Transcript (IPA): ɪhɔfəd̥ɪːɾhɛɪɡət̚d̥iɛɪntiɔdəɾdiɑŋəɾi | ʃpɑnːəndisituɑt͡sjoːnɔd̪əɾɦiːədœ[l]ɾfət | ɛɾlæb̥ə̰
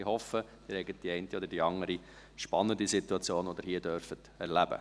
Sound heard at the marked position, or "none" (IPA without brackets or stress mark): none